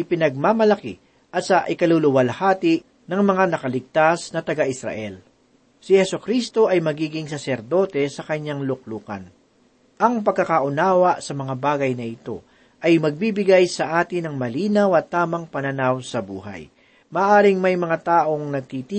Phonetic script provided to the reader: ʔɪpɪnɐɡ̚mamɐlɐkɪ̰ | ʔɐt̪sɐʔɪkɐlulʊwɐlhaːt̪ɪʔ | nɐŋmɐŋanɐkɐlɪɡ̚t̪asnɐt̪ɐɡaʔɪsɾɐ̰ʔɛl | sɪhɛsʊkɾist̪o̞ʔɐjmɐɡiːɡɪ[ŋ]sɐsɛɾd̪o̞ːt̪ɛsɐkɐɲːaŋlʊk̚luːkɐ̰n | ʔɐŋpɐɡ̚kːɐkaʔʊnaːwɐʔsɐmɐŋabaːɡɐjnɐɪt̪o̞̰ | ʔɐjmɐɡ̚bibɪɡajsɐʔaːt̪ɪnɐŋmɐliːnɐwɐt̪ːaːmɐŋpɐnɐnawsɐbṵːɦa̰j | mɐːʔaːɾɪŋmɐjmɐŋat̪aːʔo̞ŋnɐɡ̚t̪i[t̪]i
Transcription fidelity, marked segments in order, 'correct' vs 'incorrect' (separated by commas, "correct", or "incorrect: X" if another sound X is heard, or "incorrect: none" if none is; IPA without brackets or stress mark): correct, correct